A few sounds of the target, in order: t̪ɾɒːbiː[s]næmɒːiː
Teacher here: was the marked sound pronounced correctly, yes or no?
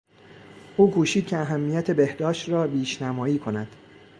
no